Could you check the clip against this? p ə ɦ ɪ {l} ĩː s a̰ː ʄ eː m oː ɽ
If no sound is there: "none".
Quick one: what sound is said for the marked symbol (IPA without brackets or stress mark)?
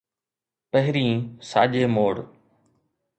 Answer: ɾ